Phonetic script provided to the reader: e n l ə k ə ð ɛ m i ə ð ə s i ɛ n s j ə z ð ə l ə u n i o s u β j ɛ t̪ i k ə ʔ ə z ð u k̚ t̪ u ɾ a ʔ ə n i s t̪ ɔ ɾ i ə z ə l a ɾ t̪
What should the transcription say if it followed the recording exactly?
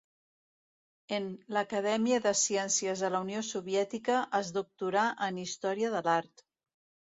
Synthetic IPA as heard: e n l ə k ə ð ɛ m i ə ð ə s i ɛ n s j ə z ð ə l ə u n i o s u β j ɛ t̪ i k ə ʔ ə z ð u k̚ t̪ u ɾ a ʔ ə n i s t̪ ɔ ɾ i ə ð ə l a ɾ t̪